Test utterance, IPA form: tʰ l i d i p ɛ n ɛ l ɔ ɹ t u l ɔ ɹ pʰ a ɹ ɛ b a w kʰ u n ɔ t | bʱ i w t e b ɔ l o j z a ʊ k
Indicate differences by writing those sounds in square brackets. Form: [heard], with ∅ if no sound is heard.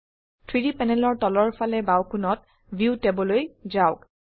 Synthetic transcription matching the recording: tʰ [ɹ] i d i p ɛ n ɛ l ɔ ɹ t [ɔ] l ɔ ɹ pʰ a [l] ɛ b a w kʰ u n ɔ t | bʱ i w t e b ɔ l o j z a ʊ k